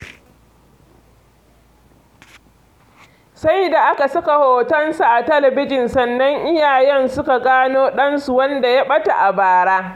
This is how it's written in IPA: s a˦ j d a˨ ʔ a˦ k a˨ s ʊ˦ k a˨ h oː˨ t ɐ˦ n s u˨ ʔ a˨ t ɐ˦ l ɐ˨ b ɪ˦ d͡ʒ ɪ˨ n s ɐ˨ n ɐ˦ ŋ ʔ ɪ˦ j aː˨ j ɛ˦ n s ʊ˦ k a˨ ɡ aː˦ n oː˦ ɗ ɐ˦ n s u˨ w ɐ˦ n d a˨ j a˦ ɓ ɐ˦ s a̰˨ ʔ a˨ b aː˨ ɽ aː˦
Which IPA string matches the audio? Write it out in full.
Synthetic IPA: s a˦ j d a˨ ʔ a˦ k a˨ s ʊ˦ k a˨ h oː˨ t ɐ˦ n s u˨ ʔ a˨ t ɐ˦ l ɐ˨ b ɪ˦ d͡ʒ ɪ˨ n s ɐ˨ nː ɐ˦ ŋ ʔ ɪ˦ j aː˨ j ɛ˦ n s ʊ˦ k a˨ ɡ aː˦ n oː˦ ɗ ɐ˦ n s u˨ w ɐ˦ n d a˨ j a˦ ɓ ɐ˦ t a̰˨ ʔ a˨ b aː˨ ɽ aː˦